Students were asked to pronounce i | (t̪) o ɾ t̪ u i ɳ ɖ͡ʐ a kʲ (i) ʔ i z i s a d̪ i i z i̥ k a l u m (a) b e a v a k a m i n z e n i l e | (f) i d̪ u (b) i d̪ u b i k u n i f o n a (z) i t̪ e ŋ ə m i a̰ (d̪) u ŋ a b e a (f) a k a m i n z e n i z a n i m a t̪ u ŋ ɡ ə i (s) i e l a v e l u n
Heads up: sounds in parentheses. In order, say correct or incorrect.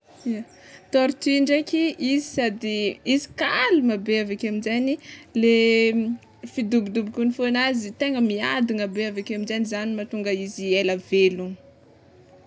correct, correct, correct, correct, correct, correct, correct, incorrect: v, incorrect: z

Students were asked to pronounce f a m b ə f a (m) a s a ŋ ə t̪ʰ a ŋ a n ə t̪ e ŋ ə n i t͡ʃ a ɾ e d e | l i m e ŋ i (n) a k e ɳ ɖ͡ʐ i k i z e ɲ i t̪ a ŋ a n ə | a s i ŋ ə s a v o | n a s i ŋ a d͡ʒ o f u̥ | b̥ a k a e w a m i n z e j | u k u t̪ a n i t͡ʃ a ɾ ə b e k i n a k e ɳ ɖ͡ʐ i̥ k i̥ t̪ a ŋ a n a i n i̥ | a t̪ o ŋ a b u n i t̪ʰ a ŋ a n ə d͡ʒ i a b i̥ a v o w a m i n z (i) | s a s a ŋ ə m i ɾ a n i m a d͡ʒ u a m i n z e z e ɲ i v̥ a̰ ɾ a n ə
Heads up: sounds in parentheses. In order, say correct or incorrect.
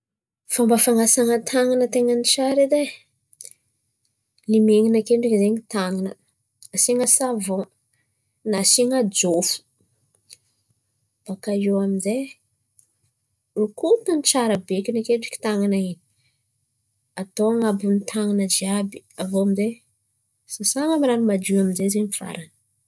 incorrect: ŋ, correct, incorrect: e

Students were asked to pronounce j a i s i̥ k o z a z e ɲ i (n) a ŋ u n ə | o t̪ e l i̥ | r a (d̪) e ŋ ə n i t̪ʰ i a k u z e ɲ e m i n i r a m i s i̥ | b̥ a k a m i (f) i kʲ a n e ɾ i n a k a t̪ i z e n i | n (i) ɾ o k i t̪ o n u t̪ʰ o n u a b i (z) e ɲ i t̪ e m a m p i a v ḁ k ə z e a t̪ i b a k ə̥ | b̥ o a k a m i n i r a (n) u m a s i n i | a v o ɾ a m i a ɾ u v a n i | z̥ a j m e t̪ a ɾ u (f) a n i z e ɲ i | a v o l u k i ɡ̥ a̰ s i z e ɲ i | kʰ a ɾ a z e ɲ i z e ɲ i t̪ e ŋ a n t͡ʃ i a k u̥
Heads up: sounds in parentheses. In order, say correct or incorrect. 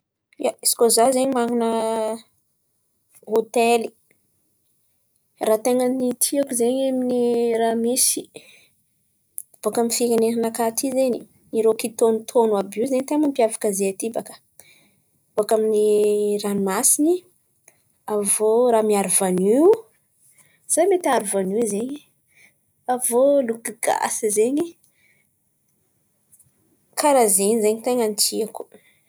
incorrect: m, incorrect: t̪, correct, correct, correct, correct, incorrect: v

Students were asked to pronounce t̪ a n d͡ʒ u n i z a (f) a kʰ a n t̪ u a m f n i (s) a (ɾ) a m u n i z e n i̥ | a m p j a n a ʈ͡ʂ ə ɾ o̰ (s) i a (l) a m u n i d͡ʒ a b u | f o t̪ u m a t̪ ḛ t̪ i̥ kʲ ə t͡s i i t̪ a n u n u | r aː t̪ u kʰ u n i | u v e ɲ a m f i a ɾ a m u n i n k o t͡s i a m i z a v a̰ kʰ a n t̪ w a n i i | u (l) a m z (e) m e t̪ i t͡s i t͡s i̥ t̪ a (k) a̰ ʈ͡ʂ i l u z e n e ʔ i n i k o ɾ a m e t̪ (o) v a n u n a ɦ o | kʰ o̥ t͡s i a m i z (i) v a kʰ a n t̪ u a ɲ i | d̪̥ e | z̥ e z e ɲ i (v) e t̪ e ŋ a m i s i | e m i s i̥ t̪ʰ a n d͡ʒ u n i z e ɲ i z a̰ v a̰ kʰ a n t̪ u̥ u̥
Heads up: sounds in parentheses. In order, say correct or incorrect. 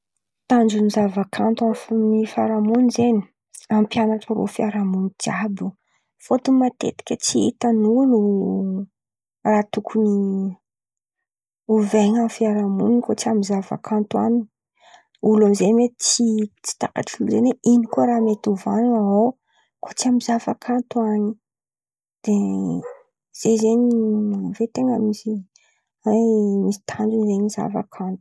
incorrect: v, incorrect: f, correct, incorrect: f, incorrect: ɾ, correct, correct, correct, incorrect: u, incorrect: a, correct

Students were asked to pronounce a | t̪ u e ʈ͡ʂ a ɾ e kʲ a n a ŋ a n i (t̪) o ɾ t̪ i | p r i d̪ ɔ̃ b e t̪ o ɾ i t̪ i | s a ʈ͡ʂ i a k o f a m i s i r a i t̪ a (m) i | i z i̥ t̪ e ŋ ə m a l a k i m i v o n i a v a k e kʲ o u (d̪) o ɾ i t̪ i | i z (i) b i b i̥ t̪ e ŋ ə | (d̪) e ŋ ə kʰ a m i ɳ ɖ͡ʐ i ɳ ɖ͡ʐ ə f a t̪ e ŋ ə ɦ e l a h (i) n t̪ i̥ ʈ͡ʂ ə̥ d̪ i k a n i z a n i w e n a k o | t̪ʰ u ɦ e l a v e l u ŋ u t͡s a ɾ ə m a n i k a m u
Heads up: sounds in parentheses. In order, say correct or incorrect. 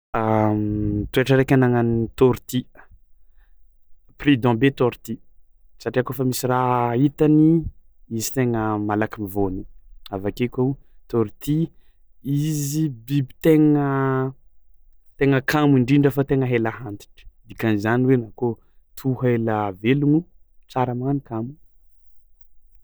correct, incorrect: n, incorrect: t̪, correct, incorrect: t̪, incorrect: a

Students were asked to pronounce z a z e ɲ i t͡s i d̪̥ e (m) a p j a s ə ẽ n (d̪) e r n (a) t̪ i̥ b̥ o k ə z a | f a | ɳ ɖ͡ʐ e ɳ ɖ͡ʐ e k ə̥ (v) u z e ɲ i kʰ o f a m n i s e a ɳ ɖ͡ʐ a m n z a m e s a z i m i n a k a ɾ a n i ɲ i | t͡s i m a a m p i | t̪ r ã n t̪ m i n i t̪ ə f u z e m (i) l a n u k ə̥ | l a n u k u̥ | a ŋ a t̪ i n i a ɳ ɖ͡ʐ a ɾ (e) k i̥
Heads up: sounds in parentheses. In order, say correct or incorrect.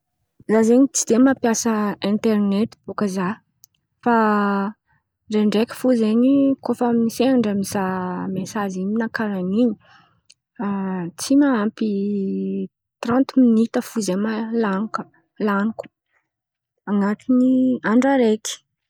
correct, incorrect: t̪, incorrect: e, incorrect: f, incorrect: a, correct

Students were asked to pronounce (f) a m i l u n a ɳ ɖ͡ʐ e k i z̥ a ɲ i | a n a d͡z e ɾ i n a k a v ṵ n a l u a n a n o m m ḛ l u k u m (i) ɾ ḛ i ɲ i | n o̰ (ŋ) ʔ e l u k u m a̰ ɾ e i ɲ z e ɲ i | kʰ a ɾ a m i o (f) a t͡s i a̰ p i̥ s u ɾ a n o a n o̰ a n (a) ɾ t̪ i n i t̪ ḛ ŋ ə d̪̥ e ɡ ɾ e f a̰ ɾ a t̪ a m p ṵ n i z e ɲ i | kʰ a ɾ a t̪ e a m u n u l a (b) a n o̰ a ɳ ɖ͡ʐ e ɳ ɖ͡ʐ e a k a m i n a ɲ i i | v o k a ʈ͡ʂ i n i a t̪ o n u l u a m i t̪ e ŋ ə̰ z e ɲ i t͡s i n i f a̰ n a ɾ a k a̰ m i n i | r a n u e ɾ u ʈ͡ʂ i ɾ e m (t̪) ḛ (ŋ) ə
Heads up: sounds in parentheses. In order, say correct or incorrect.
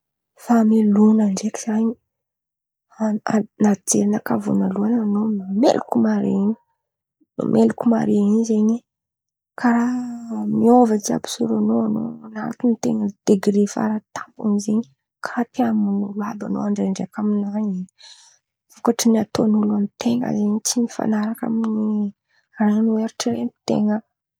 correct, incorrect: a, incorrect: m, incorrect: v, correct, correct, correct, correct

